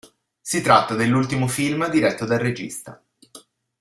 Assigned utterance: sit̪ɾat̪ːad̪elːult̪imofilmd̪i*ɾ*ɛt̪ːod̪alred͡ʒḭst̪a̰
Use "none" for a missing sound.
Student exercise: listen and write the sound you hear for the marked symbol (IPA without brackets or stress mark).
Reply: ɾ